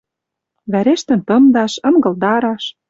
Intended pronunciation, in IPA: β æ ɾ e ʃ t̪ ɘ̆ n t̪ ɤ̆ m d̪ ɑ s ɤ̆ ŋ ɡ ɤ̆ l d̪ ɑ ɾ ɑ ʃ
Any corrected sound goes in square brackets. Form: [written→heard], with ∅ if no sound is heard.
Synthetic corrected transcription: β æ ɾ e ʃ t̪ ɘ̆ n t̪ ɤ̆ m d̪ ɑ [s→ʃ] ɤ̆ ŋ ɡ ɤ̆ l d̪ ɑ ɾ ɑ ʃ